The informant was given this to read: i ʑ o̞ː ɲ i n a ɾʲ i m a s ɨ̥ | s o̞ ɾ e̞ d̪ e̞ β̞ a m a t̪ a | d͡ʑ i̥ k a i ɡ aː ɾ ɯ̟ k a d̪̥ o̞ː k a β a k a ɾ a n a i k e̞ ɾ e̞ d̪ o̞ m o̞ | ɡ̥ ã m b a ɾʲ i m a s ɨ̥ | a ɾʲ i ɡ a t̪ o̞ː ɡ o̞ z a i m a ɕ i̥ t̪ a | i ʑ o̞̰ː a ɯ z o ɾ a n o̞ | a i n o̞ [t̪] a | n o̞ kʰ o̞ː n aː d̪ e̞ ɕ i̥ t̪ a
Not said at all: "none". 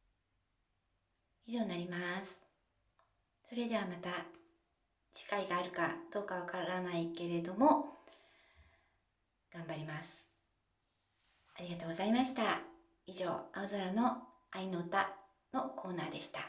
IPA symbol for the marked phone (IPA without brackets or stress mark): t̪